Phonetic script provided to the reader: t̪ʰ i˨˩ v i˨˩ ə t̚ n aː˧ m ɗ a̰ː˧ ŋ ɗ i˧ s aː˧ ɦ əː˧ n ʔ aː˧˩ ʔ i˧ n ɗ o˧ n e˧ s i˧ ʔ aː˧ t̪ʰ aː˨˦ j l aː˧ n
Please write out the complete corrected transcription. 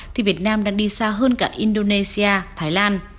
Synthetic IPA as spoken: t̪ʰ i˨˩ v i˨˩ ə t̚ n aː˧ m ɗ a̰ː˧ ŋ ɗ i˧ s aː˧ ɦ əː˧ n k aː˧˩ ʔ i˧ n ɗ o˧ n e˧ s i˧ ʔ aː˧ t̪ʰ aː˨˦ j l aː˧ n